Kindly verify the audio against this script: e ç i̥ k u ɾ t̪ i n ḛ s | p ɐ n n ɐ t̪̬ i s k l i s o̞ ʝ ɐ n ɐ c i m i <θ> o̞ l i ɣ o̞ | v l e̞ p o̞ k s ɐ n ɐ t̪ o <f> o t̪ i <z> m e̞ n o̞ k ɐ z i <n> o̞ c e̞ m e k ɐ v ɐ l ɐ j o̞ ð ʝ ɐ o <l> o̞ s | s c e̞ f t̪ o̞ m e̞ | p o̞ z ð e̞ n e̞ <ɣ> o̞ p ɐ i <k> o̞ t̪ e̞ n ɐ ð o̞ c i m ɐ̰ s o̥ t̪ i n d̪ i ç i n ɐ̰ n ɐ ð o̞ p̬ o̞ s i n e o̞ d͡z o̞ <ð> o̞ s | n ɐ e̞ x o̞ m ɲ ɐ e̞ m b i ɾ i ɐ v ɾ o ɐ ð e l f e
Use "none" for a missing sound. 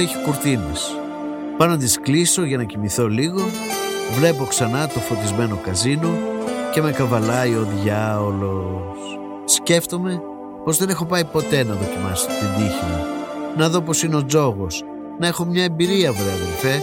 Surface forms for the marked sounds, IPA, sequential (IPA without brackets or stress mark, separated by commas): θ, f, z, n, l, x, p, ɣ